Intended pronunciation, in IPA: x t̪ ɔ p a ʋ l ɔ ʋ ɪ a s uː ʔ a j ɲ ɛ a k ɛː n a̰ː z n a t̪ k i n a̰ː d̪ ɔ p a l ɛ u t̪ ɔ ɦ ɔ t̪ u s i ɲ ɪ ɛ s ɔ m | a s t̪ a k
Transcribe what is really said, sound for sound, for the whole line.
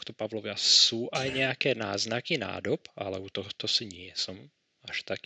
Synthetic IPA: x t̪ ɔ p a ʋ l ɔ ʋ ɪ a s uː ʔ a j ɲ ɛ a k ɛː n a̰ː z n a k i n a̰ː d̪ ɔ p a l ɛ u t̪ ɔ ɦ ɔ t̪ ɔ s i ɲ ɪ ɛ s ɔ m | a ʃ t̪ a k